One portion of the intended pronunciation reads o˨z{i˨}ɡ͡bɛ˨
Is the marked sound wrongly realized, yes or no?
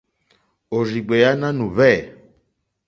no